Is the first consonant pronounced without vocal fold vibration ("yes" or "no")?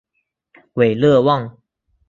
no